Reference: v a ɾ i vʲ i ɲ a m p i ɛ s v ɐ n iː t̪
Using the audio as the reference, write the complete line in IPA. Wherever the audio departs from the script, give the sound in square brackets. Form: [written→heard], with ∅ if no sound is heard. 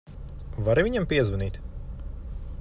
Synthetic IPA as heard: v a ɾ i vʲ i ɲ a m p i ɛ [s→z] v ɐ n iː t̪